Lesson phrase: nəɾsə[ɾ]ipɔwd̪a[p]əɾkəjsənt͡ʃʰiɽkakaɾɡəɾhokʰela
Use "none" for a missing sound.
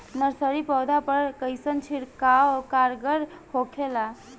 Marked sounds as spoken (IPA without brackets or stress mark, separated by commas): ɾ, p